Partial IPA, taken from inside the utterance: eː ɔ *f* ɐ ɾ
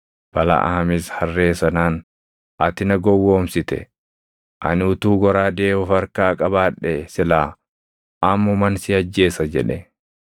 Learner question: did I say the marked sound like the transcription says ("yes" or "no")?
yes